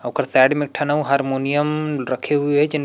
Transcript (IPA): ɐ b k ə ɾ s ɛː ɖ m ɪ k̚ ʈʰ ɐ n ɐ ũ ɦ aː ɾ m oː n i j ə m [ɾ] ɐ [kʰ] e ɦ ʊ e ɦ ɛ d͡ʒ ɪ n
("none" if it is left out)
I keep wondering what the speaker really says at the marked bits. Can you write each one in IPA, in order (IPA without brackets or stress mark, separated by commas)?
ɾ, kʰ